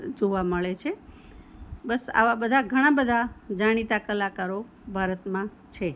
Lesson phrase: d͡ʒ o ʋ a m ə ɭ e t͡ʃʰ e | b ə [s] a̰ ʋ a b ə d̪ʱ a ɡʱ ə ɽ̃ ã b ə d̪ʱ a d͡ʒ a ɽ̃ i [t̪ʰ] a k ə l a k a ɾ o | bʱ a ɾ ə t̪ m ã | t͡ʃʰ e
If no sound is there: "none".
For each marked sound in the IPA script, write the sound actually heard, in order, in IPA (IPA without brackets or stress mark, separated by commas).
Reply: s, t̪